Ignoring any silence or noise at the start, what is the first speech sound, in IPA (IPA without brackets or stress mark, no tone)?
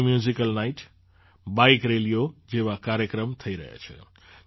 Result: m